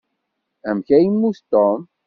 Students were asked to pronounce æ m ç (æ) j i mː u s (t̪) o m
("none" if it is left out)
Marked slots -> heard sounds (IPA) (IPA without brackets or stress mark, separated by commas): æ, t̪